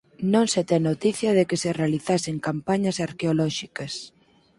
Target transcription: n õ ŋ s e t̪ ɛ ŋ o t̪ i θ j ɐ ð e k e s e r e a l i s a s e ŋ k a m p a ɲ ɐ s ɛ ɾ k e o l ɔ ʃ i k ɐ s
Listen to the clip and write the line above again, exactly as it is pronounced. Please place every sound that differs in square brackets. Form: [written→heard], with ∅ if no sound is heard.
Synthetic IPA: n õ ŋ s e t̪ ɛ [ŋ→n] o t̪ i θ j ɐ ð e k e s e r e a l i [s→θ] a s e ŋ k a m p a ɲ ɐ s [ɛ→a] ɾ k e o l ɔ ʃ i k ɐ s